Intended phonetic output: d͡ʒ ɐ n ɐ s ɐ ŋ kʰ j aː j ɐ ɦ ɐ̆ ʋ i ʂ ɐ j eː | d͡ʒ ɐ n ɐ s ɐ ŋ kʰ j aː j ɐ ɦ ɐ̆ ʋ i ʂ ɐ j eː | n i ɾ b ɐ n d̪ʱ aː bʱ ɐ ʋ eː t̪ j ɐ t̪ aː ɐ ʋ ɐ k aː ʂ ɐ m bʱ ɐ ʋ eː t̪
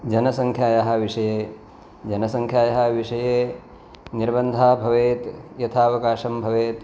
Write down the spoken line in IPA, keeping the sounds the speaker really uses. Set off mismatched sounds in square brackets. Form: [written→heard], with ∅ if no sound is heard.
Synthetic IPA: d͡ʒ ɐ n ɐ s ɐ ŋ kʰ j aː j ɐ ɦ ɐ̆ ʋ i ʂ ɐ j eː | d͡ʒ ɐ n ɐ s ɐ ŋ kʰ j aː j ɐ ɦ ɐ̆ ʋ i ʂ ɐ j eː | n i ɾ b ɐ n d̪ʱ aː bʱ ɐ ʋ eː t̪ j ɐ [t̪→t̪ʰ] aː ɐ ʋ ɐ k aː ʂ ɐ m bʱ ɐ ʋ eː t̪